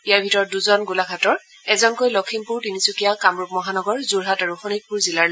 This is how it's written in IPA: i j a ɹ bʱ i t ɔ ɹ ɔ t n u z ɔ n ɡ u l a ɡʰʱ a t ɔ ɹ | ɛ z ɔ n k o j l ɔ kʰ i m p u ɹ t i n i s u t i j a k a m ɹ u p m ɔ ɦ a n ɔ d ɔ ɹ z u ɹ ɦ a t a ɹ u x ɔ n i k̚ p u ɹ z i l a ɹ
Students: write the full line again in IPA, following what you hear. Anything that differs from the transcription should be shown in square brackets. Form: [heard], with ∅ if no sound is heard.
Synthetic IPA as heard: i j a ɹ bʱ i t ɔ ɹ ɔ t [d] u z ɔ n ɡ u l a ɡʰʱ a t ɔ ɹ | ɛ z ɔ n k o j l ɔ kʰ i m p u ɹ t i n i s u [k] i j a k a m ɹ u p m ɔ ɦ a n ɔ [ɡ] ɔ ɹ z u ɹ ɦ a t a ɹ u x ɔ n i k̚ p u ɹ z i l a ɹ